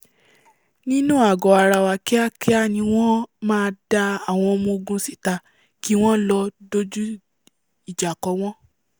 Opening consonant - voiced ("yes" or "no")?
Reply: yes